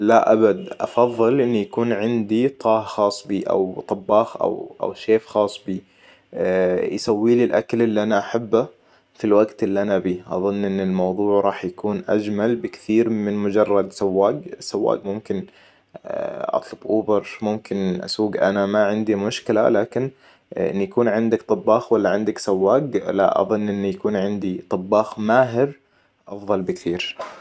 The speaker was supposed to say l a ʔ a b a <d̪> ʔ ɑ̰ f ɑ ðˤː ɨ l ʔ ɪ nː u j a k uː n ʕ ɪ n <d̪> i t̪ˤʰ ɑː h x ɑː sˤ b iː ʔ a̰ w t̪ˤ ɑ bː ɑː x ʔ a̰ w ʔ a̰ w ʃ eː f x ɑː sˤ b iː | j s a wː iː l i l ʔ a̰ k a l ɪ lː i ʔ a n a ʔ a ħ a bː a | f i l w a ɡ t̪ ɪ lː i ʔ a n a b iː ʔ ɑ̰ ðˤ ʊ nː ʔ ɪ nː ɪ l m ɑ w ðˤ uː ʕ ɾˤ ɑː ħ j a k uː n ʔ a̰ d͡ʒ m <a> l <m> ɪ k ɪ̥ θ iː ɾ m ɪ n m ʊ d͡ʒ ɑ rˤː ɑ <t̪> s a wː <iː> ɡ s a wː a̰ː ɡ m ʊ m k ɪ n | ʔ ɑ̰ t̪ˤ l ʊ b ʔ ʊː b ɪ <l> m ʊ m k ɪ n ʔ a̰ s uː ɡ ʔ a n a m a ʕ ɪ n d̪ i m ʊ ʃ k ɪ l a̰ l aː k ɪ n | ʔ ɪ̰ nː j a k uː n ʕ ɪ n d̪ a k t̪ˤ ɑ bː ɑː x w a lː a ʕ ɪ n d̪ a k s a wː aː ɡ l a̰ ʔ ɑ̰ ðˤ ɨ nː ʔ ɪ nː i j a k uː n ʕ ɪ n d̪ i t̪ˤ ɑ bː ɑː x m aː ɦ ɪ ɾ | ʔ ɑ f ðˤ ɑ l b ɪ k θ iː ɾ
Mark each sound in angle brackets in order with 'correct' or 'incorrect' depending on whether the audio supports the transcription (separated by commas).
correct, correct, correct, incorrect, incorrect, incorrect, incorrect